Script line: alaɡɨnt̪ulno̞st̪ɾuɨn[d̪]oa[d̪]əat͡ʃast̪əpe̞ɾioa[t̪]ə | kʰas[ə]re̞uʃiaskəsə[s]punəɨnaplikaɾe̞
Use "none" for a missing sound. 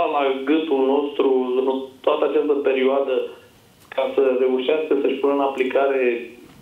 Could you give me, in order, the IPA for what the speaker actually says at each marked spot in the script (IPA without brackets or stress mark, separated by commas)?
t̪, t̪, d̪, ə, ʃ